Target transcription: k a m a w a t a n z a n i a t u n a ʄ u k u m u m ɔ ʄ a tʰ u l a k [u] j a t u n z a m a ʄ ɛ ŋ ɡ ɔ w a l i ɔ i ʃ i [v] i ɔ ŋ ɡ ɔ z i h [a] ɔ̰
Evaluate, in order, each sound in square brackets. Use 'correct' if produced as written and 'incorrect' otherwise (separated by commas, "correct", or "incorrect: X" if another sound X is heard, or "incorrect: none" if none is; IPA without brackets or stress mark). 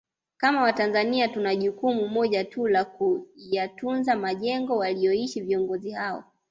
correct, correct, correct